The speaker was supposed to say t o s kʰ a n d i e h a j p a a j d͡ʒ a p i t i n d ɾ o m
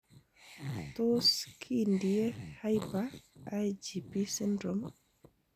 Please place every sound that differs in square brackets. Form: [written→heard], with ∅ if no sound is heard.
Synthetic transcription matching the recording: t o s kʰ [a→i] n d i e h a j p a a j d͡ʒ [a→i] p i [t→s] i n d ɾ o m